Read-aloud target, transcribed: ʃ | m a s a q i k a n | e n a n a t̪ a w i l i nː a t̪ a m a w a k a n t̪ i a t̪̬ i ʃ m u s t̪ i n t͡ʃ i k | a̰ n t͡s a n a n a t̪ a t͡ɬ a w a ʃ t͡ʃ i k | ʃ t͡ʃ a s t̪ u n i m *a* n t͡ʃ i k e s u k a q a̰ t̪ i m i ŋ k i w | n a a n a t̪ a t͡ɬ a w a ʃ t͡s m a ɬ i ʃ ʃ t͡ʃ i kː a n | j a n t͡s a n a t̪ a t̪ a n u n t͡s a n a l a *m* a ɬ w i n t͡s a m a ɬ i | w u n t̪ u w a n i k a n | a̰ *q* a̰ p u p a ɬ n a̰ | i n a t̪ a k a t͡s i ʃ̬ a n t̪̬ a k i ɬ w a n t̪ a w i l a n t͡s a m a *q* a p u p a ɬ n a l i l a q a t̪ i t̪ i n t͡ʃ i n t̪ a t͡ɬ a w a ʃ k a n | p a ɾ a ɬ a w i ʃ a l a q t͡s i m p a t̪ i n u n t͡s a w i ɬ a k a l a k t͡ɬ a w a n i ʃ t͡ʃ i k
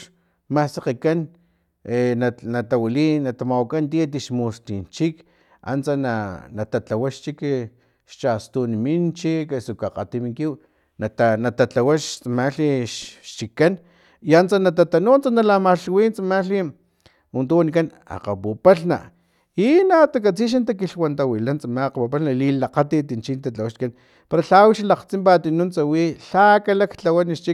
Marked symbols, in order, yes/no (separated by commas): no, yes, yes, yes